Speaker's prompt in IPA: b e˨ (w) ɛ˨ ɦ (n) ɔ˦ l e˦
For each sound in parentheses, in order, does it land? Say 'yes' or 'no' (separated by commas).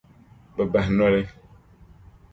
no, yes